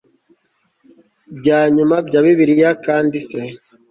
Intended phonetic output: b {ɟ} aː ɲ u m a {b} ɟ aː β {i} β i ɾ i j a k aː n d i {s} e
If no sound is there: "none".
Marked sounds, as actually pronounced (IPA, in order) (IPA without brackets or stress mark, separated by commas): ɟ, b, i, s